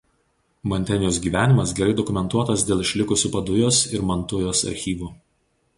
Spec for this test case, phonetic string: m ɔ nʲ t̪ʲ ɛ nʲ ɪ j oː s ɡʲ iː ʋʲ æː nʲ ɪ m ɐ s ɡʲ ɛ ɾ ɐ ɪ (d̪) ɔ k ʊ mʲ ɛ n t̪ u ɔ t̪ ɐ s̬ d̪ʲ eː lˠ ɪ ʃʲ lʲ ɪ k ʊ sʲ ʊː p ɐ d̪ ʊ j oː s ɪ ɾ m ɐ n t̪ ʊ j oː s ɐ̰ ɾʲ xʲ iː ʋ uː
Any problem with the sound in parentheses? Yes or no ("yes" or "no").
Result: no